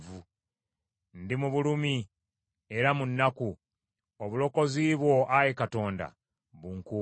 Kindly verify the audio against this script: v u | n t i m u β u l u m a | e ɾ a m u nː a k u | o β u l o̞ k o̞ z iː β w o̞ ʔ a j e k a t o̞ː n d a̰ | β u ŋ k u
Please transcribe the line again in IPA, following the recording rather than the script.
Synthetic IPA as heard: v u | n d i m u β u l u m i | e ɾ a m u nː a k u | o β u l o̞ k o̞ z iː β w o̞ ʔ a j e k a t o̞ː n d a̰ | β u ŋ k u